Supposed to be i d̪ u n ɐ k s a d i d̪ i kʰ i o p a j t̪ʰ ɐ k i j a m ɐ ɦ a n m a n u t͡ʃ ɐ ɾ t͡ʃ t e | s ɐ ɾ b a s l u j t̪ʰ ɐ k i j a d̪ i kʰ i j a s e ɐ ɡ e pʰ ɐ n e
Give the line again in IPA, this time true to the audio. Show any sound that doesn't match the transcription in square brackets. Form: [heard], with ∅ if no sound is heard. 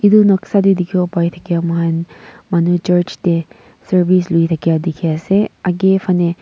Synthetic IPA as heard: i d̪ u n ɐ k s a d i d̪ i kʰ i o p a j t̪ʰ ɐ k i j a m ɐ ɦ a n m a n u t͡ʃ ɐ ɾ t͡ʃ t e | s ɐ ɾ b [i] s l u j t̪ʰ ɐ k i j a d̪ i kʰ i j a s e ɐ ɡ e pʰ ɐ n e